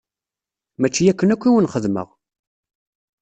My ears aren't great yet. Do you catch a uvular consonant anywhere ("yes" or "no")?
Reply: yes